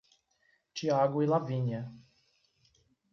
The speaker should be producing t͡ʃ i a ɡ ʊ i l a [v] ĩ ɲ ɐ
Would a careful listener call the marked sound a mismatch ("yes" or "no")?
no